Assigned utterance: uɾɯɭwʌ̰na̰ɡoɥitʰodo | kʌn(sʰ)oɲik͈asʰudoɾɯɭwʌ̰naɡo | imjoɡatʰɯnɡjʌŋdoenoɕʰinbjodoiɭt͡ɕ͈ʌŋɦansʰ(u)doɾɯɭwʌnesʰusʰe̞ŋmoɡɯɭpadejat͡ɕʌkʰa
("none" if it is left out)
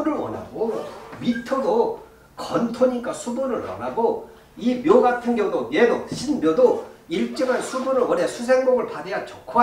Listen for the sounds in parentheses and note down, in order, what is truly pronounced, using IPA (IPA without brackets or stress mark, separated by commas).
tʰ, u